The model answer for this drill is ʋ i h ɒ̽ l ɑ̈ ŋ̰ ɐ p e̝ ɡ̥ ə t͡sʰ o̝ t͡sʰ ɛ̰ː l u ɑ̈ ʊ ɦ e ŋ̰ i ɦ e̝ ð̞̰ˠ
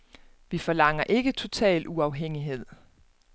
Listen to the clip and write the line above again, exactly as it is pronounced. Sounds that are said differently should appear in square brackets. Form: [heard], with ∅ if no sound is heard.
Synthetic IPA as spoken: ʋ i [f] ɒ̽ l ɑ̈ ŋ̰ ɐ [ʔ] e̝ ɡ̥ ə t͡sʰ o̝ t͡sʰ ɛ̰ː l u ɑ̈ ʊ ɦ e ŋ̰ i ɦ e̝ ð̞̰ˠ